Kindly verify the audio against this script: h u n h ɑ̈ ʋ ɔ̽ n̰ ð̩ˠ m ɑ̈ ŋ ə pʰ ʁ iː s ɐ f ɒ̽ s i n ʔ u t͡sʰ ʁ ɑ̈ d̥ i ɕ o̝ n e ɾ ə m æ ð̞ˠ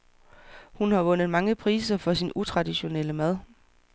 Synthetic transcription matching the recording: h u n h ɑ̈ ʋ ɔ̽ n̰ ð̩ˠ m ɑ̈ ŋ ə pʰ ʁ iː s ɐ f ɒ̽ s i n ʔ u t͡sʰ ʁ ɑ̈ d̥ i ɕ o̝ n e l ə m æ ð̞ˠ